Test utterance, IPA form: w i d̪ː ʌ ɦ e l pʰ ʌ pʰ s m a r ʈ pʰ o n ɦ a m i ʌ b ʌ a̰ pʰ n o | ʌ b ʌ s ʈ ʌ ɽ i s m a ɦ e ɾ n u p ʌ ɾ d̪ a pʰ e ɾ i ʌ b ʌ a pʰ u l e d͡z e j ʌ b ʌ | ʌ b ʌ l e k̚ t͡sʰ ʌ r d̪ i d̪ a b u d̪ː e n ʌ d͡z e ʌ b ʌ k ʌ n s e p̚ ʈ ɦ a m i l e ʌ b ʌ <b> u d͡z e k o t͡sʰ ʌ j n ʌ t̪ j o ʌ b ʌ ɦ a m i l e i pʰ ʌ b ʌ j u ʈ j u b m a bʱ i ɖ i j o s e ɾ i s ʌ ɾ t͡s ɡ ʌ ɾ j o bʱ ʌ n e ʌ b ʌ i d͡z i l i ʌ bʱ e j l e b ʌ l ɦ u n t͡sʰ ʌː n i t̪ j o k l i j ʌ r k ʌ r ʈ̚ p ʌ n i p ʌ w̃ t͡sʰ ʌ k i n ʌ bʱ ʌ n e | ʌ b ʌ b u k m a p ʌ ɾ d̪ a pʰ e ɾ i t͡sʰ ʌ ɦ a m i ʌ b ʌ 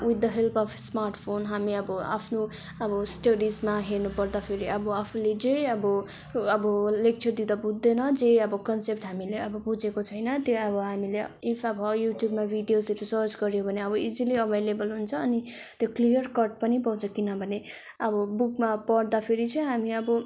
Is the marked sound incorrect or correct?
correct